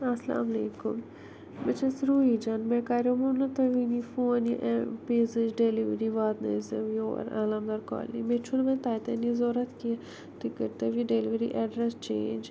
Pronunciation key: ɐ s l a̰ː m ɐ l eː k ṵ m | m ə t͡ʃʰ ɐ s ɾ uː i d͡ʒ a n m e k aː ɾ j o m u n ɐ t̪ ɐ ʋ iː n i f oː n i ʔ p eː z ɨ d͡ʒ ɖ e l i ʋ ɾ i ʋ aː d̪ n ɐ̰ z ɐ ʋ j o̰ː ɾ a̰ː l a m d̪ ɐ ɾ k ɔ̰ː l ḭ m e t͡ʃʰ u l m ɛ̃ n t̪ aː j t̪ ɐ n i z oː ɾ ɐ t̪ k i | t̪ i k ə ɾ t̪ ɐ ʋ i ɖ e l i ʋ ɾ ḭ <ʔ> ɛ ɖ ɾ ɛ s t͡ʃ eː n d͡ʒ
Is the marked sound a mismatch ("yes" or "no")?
no